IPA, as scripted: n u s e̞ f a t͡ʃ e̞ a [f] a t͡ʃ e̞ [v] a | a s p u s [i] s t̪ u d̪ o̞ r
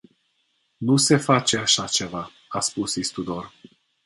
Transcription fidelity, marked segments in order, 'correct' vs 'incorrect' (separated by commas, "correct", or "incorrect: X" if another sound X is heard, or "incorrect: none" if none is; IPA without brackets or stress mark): incorrect: ʃ, correct, correct